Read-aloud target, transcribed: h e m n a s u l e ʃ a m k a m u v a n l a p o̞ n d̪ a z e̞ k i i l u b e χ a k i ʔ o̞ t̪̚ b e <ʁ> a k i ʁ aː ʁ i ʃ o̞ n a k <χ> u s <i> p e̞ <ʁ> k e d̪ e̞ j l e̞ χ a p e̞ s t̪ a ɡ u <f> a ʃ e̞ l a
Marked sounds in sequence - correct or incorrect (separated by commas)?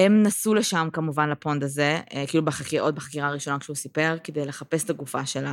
incorrect, incorrect, correct, correct, correct